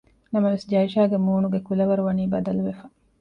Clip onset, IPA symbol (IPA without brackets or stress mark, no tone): n